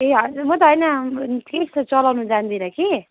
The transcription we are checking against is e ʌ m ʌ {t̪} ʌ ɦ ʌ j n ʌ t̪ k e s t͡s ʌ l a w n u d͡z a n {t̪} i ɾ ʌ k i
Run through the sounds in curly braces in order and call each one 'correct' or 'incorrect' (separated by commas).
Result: correct, incorrect